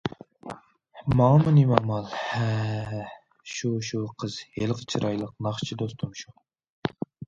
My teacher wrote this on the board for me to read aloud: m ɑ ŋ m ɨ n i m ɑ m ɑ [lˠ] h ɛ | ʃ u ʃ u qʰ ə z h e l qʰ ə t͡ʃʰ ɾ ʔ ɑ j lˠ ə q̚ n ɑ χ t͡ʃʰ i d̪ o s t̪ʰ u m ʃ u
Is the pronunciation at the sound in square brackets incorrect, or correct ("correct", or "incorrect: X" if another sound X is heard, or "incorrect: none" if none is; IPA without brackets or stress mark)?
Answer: correct